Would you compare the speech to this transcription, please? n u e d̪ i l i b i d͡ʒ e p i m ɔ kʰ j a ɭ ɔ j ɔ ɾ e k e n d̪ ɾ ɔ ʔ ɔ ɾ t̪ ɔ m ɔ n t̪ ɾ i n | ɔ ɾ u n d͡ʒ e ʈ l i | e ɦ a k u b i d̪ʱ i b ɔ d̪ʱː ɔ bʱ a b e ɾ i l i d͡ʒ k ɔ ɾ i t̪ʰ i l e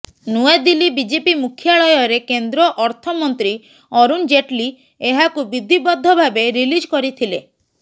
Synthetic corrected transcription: n u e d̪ i l i b i d͡ʒ e p i m u kʰ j a ɭ ɔ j ɔ ɾ e k e n d̪ ɾ ɔ ʔ ɔ ɾ t̪ʰ ɔ m ɔ n t̪ ɾ i | ɔ ɾ u n d͡ʒ e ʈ l i | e ɦ a k u b i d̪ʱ i b ɔ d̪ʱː ɔ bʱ a b e ɾ i l i d͡ʒ k ɔ ɾ i t̪ʰ i l e

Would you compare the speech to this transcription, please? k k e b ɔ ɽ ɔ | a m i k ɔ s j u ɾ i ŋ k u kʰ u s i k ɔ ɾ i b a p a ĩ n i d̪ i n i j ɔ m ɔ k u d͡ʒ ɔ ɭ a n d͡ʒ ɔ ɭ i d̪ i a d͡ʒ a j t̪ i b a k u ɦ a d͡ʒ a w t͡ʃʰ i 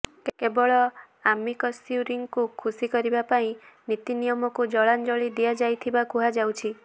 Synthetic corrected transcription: k k e b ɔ ɭ ɔ | a m i k ɔ s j u ɾ i ŋ k u kʰ u s i k ɔ ɾ i b a p a ĩ n i t̪ i n i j ɔ m ɔ k u d͡ʒ ɔ ɭ a n d͡ʒ ɔ ɭ i d̪ i a d͡ʒ a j t̪ʰ i b a k u ɦ a d͡ʒ a w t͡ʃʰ i

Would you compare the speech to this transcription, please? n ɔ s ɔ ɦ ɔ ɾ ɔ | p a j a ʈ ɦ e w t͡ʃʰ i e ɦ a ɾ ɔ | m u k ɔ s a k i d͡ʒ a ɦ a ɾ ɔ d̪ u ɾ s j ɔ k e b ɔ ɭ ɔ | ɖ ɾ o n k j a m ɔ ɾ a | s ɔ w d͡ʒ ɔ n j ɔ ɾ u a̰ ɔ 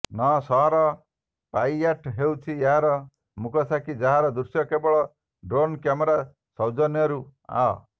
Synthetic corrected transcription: n ɔ s ɔ ɦ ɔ ɾ ɔ | p a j a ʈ ɦ e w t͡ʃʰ i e ɦ a ɾ ɔ | m u k ɔ s a k i d͡ʒ a ɦ a ɾ ɔ d̪ u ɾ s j ɔ k e b ɔ ɭ ɔ | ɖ ɾ o n k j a m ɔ ɾ a | s ɔ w d͡ʒ ɔ n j ɔ ɾ u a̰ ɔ

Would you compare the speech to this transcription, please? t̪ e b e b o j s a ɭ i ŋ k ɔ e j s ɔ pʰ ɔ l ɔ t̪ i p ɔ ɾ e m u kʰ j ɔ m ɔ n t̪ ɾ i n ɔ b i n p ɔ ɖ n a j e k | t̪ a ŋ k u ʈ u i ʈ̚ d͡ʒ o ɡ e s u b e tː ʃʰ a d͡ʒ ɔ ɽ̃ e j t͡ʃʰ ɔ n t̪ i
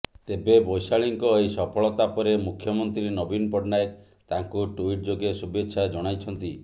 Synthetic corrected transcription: t̪ e b e b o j s a ɭ i ŋ k ɔ e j s ɔ pʰ ɔ ɭ ɔ t̪ a p ɔ ɾ e m u kʰ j ɔ m ɔ n t̪ ɾ i n ɔ b i n p ɔ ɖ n a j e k | t̪ a ŋ k u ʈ u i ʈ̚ d͡ʒ o ɡ e s u b e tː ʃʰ a d͡ʒ ɔ ɽ̃ a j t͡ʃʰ ɔ n t̪ i

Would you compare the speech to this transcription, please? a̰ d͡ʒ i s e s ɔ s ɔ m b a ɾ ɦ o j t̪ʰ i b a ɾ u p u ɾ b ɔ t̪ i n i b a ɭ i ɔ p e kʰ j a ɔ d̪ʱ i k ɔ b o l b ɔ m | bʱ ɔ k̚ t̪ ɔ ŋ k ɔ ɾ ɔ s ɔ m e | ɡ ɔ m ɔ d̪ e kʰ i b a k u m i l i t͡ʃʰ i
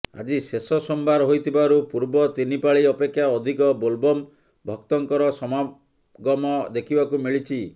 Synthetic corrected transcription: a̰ d͡ʒ i s e s ɔ s ɔ m b a ɾ ɦ o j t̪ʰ i b a ɾ u p u ɾ b ɔ t̪ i n i p a ɭ i ɔ p e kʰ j a ɔ d̪ʱ i k ɔ b o l b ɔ m | bʱ ɔ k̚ t̪ ɔ ŋ k ɔ ɾ ɔ s ɔ m a | ɡ ɔ m ɔ d̪ e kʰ i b a k u m i ɭ i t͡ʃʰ i

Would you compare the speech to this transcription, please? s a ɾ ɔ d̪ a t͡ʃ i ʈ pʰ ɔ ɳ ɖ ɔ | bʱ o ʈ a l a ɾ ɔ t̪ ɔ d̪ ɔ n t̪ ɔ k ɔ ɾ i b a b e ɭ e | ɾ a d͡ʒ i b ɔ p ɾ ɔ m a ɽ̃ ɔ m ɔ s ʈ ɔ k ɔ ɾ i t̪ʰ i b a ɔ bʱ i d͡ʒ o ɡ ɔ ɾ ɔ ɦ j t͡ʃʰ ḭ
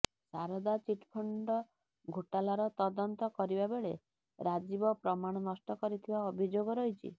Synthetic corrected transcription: s a ɾ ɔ d̪ a t͡ʃ i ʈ pʰ ɔ ɳ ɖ ɔ | ɡʱ o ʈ a l a ɾ ɔ t̪ ɔ d̪ ɔ n t̪ ɔ k ɔ ɾ i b a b e ɭ e | ɾ a d͡ʒ i b ɔ p ɾ ɔ m a ɽ̃ ɔ n ɔ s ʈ ɔ k ɔ ɾ i t̪ʰ i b a ɔ bʱ i d͡ʒ o ɡ ɔ ɾ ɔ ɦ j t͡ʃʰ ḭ

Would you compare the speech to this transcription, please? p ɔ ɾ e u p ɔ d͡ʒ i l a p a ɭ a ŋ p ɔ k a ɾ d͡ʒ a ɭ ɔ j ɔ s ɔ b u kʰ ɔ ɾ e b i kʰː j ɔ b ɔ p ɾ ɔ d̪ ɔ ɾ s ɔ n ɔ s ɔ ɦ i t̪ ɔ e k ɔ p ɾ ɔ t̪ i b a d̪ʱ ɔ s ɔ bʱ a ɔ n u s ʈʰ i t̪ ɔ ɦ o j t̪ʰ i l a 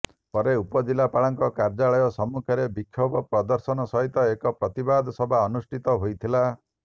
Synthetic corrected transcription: p ɔ ɾ e u p ɔ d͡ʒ i l a p a ɭ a ŋ k ɔ k a ɾ d͡ʒ a ɭ ɔ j ɔ s ɔ m u kʰ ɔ ɾ e b i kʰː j ɔ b ɔ p ɾ ɔ d̪ ɔ ɾ s ɔ n ɔ s ɔ ɦ i t̪ ɔ e k ɔ p ɾ ɔ t̪ i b a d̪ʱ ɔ s ɔ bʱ a ɔ n u s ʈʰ i t̪ ɔ ɦ o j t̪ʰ i l a

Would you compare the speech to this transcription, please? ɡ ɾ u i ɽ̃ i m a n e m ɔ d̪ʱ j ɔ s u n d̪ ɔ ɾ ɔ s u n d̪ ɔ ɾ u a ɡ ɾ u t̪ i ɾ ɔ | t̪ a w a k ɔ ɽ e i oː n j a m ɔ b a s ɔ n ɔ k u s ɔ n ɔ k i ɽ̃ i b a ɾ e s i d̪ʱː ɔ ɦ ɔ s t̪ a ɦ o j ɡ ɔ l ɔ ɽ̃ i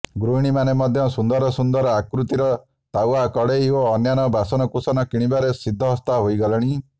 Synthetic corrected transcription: ɡ ɾ u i ɽ̃ i m a n e m ɔ d̪ʱ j ɔ s u n d̪ ɔ ɾ ɔ s u n d̪ ɔ ɾ ɔ a k ɾ u t̪ i ɾ ɔ | t̪ a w a k ɔ ɽ e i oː n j a n ɔ b a s ɔ n ɔ k u s ɔ n ɔ k i ɽ̃ i b a ɾ e s i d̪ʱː ɔ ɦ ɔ s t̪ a ɦ o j ɡ ɔ l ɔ ɽ̃ i

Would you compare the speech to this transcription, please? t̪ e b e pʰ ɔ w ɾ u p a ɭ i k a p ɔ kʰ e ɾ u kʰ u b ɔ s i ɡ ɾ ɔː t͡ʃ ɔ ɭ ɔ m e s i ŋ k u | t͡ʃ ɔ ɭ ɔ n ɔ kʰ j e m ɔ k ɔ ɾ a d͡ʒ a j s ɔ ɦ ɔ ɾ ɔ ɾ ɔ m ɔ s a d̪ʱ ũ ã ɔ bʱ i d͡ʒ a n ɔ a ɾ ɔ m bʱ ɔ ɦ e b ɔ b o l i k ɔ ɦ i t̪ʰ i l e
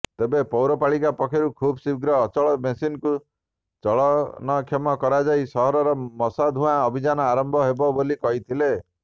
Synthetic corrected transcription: t̪ e b e p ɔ w ɾ ɔ p a ɭ i k a p ɔ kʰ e ɾ u kʰ u b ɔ s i ɡ ɾ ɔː t͡ʃ ɔ ɭ ɔ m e s i n k u | t͡ʃ ɔ ɭ ɔ n ɔ kʰ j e m ɔ k ɔ ɾ a d͡ʒ a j s ɔ ɦ ɔ ɾ ɔ ɾ ɔ m ɔ s a d̪ʱ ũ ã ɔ bʱ i d͡ʒ a n ɔ a ɾ ɔ m bʱ ɔ ɦ e b ɔ b o l i k ɔ ɦ i t̪ʰ i l e

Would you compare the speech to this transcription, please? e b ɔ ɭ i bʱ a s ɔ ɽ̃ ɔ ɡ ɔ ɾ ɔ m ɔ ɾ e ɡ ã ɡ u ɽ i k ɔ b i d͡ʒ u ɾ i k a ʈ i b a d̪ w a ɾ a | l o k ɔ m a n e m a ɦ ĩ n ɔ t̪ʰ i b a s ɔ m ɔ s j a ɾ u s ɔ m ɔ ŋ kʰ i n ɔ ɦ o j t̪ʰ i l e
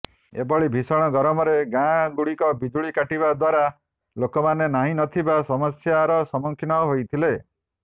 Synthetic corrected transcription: e b ɔ ɭ i bʱ i s ɔ ɽ̃ ɔ ɡ ɔ ɾ ɔ m ɔ ɾ e ɡ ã ɡ u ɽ i k ɔ b i d͡ʒ u ɭ i k a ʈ i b a d̪ w a ɾ a | l o k ɔ m a n e n a ɦ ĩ n ɔ t̪ʰ i b a s ɔ m ɔ s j a ɾ ɔ s ɔ m ɔ ŋ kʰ i n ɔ ɦ o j t̪ʰ i l e

